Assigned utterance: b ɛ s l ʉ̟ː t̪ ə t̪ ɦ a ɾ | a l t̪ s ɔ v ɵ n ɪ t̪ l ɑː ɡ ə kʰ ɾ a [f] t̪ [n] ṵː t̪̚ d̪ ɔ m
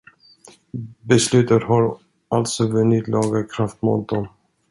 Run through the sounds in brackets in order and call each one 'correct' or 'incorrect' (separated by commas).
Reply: correct, incorrect